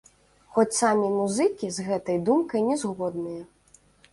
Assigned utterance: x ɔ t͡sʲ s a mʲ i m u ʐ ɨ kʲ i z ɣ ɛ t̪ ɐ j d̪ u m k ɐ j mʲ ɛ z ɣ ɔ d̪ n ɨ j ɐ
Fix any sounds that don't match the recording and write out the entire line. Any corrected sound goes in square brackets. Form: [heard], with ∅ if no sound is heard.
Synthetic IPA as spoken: x ɔ t͡sʲ s a mʲ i m u [z] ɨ kʲ i z ɣ ɛ t̪ ɐ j d̪ u m k ɐ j [nʲ] ɛ z ɣ ɔ d̪ n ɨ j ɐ